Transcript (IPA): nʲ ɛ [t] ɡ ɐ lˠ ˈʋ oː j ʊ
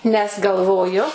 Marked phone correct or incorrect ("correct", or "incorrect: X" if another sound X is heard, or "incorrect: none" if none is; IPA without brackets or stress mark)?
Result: incorrect: s